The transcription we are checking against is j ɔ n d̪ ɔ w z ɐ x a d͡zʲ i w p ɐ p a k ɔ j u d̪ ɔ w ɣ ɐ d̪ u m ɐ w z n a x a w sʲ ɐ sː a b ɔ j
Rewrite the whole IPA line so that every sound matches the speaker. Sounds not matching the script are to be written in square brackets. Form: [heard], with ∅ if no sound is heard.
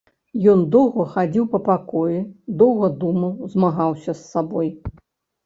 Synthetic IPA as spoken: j ɔ n d̪ ɔ w [ɣ] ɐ x a d͡zʲ i w p ɐ p a k ɔ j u d̪ ɔ w ɣ ɐ d̪ u m ɐ w z [m] a [ɣ] a w sʲ ɐ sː a b ɔ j